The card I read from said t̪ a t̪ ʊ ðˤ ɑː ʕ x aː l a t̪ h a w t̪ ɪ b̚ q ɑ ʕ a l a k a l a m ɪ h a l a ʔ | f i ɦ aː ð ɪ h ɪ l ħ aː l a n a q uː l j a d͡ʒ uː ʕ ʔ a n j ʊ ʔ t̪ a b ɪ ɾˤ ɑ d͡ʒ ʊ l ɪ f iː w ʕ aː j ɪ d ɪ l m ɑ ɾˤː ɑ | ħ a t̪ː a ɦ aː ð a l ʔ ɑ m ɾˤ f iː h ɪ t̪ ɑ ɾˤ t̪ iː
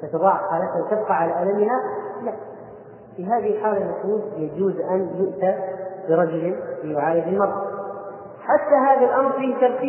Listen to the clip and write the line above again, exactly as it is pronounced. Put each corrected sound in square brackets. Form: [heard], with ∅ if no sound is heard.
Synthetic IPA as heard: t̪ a t̪ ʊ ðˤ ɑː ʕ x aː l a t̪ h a w t̪ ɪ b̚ q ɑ ʕ a l a [ʔ] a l a m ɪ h a l a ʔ | f i ɦ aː ð ɪ h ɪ l ħ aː l a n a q uː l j a d͡ʒ uː [z] ʔ a n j ʊ ʔ t̪ a b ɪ ɾˤ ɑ d͡ʒ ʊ l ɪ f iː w ʕ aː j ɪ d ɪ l m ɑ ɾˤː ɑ | ħ a t̪ː a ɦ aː ð a l ʔ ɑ m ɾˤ f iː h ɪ t̪ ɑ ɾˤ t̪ iː